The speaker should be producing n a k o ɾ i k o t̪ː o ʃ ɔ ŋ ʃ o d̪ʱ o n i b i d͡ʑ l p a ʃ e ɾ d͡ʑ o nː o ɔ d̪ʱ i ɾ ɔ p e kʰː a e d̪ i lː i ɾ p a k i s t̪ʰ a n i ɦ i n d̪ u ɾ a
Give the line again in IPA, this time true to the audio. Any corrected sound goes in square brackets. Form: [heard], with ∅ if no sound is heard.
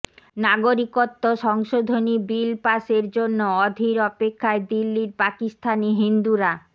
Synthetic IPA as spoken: n a [ɡ] o ɾ i k o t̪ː o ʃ ɔ ŋ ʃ o d̪ʱ o n i b i [∅] l p a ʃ e ɾ d͡ʑ o nː o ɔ d̪ʱ i ɾ ɔ p e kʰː a e d̪ i lː i ɾ p a k i s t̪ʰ a n i ɦ i n d̪ u ɾ a